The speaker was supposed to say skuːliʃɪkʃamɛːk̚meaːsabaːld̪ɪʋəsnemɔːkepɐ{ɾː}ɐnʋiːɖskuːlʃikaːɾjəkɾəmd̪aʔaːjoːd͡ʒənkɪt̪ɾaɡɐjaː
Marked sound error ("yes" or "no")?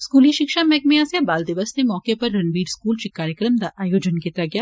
no